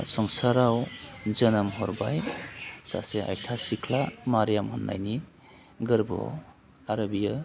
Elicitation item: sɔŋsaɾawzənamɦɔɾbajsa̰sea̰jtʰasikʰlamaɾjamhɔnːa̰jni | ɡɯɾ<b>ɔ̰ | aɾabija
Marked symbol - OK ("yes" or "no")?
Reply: yes